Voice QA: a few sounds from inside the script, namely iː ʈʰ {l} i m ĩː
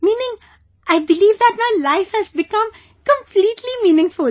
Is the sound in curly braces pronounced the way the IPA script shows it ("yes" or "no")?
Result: yes